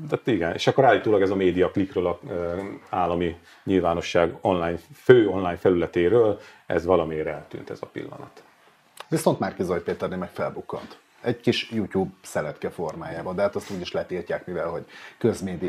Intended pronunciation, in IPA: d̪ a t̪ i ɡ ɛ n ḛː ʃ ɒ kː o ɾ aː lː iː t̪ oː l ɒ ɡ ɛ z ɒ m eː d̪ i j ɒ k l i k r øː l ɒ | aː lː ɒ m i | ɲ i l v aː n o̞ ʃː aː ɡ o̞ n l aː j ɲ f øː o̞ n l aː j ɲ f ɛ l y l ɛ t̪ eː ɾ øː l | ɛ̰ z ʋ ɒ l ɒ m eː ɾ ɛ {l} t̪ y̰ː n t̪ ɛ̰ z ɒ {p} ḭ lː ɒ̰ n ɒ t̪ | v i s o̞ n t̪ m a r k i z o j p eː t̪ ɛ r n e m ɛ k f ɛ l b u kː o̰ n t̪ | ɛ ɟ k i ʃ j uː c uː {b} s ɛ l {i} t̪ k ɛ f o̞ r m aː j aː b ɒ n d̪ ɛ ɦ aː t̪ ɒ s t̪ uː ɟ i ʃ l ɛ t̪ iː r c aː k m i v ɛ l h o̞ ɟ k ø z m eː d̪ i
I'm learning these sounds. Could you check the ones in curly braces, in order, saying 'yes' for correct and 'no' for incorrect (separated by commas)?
yes, yes, yes, no